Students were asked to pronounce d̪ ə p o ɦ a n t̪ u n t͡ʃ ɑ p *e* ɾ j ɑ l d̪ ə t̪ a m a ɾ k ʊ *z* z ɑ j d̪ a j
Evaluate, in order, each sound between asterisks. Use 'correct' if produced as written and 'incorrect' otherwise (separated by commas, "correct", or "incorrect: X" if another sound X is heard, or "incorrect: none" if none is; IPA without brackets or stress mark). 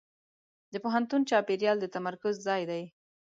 correct, correct